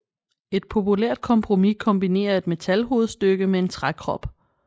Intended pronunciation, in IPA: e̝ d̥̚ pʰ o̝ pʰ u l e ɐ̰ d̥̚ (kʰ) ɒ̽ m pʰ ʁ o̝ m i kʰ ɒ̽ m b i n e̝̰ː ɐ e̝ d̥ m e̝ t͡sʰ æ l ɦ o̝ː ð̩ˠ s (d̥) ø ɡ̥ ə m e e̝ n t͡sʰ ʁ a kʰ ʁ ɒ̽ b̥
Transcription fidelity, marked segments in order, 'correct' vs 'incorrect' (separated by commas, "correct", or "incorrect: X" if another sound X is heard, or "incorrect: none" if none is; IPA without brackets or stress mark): correct, correct